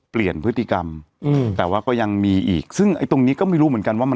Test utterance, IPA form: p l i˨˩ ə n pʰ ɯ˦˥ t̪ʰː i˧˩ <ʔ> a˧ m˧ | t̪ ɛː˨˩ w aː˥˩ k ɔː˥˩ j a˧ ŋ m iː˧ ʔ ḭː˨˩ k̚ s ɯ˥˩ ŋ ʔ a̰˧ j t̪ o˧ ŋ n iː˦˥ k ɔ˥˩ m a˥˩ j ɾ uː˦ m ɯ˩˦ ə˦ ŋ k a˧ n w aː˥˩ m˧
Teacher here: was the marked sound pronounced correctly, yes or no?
no